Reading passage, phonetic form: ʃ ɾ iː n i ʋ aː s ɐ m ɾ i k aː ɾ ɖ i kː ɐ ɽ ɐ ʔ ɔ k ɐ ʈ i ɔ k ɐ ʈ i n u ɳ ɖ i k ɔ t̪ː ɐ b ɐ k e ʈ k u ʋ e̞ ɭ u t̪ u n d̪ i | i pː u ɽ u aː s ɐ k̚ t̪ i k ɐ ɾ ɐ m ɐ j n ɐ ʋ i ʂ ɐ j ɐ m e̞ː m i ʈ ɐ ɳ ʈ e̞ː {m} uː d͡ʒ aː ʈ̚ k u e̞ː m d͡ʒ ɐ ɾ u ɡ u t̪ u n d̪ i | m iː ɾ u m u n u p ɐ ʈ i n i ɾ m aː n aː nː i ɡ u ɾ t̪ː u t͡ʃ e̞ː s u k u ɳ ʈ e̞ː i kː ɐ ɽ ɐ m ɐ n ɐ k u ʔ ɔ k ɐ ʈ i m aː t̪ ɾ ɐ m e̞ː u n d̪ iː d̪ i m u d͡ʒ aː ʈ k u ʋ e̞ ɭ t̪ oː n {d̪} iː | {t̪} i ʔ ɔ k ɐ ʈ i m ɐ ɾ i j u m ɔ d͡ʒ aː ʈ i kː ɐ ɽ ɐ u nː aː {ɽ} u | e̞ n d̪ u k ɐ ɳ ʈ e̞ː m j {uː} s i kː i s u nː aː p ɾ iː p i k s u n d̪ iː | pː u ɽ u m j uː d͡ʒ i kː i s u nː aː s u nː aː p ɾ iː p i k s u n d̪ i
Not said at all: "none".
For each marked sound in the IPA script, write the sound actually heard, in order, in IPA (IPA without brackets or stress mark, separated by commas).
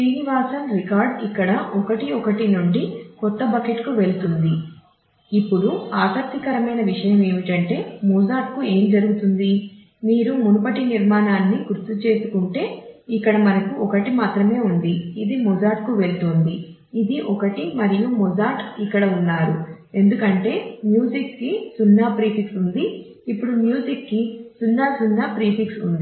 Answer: m, d̪, d̪, ɾ, uː